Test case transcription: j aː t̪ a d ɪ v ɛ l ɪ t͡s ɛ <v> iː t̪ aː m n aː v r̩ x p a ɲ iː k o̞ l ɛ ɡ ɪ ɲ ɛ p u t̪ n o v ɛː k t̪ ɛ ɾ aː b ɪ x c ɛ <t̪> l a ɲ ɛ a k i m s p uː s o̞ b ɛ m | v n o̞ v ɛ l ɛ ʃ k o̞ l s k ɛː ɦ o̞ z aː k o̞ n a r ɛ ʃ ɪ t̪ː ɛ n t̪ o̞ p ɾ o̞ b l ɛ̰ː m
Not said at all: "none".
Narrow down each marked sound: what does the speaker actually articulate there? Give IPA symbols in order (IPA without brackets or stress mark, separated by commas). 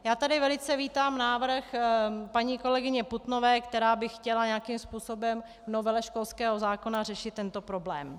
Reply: v, none